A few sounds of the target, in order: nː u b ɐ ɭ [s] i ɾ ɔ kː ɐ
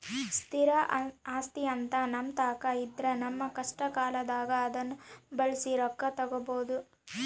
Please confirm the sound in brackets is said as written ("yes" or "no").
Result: yes